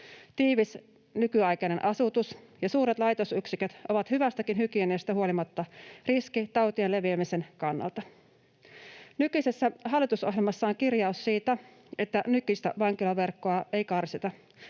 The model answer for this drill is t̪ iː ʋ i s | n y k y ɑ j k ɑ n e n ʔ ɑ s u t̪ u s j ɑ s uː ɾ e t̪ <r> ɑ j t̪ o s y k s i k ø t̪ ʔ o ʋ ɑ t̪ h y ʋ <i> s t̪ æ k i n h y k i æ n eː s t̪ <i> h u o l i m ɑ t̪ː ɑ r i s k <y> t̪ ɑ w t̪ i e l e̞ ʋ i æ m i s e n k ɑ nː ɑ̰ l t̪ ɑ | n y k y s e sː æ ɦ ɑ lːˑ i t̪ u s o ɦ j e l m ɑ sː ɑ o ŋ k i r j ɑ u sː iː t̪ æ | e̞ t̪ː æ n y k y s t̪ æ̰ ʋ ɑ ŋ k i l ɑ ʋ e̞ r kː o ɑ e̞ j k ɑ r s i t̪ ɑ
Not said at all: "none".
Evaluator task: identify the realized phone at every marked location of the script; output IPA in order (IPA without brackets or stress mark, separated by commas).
l, æ, æ, i